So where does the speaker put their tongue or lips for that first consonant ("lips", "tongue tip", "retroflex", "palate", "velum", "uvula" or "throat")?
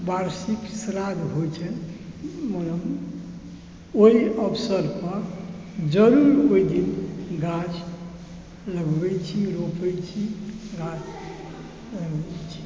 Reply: lips